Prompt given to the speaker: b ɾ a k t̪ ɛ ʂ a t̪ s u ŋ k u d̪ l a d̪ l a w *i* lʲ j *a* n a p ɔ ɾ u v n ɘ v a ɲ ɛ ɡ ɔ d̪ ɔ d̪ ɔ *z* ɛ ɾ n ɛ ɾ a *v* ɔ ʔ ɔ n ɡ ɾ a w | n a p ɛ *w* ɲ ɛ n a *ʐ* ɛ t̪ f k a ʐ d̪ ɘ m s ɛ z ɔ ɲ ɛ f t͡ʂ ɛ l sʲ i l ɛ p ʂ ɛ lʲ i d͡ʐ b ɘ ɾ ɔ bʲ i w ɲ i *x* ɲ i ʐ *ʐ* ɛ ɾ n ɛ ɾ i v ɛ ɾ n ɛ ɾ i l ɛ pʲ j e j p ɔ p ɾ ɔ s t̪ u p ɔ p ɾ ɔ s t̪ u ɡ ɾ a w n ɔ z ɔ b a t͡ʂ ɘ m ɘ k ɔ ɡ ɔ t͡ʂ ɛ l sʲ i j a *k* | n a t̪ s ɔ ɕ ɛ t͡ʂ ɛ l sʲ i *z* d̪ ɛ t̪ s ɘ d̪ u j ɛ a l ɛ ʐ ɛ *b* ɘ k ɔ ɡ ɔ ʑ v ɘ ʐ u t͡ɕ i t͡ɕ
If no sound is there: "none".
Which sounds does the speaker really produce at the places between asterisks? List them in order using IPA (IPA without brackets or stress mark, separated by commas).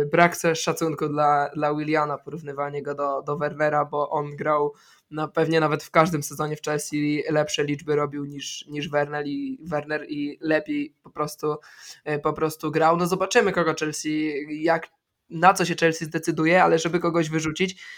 i, a, v, b, v, v, ʂ, v, k, z, b